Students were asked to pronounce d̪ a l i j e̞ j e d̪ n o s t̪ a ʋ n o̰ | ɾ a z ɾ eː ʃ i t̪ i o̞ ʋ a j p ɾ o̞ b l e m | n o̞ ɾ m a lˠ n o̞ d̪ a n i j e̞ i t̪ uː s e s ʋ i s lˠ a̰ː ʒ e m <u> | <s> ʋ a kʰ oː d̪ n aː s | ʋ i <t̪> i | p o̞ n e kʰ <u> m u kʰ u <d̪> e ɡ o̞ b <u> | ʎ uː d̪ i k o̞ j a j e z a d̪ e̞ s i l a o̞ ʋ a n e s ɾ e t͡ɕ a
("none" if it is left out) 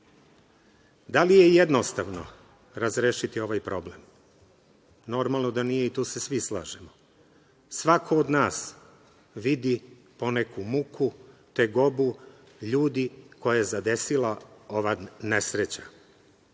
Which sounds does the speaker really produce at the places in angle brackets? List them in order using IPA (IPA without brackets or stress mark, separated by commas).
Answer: o, s, d̪, u, t̪, u